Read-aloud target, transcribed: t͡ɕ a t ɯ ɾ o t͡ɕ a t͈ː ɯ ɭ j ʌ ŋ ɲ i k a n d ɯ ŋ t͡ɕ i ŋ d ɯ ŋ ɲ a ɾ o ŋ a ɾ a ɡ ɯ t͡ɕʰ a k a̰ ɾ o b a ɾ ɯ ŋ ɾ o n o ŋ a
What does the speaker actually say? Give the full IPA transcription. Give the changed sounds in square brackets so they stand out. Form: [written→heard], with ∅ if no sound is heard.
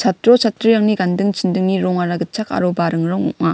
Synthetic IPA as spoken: t͡ɕ a t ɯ ɾ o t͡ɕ a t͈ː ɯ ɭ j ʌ ŋ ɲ i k a n d ɯ ŋ t͡ɕ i [ŋ→n] d ɯ ŋ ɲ [a→i] ɾ o ŋ a ɾ a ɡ ɯ t͡ɕʰ a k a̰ ɾ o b a ɾ ɯ ŋ ɾ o [n→ŋ] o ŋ a